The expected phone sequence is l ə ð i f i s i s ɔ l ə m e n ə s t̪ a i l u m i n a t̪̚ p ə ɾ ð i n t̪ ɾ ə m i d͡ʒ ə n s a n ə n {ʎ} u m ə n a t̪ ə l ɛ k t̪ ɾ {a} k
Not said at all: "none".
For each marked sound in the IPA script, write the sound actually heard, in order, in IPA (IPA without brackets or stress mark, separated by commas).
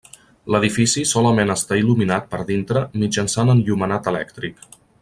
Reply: ʎ, i